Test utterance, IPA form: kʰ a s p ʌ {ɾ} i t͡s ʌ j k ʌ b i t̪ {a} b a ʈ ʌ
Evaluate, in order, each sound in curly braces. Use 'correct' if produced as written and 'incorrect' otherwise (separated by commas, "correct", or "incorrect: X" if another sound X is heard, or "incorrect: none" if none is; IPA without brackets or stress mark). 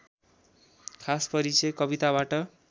correct, correct